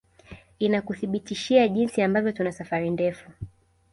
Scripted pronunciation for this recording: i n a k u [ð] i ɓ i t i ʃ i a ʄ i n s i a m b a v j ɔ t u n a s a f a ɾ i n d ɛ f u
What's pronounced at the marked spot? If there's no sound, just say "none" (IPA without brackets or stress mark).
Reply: θ